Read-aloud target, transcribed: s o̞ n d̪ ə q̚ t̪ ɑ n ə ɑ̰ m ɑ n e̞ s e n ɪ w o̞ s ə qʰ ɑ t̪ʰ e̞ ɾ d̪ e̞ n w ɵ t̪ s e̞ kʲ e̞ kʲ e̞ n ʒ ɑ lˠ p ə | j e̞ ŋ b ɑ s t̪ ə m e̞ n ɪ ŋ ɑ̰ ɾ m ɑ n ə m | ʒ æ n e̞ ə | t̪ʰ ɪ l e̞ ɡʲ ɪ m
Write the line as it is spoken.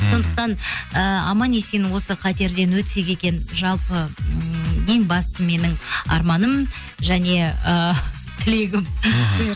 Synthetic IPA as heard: s o̞ n d̪ ə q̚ t̪ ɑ n ə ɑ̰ m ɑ n e̞ s e n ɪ w o̞ s ə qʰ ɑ t̪ e̞ ɾ d̪ e̞ n w ɵ t̪ s e̞ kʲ e̞ kʲ e̞ n ʒ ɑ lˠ p ə | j e̞ ŋ b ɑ s t̪ ə m e̞ n ɪ ŋ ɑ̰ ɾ m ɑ n ə m | ʒ æ n e̞ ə | t̪ʰ ɪ l e̞ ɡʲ ɪ m